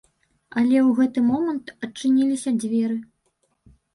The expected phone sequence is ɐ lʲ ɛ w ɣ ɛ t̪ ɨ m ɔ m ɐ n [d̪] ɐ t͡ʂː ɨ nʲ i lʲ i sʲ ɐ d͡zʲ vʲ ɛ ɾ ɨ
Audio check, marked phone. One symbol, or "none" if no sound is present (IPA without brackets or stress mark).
t̪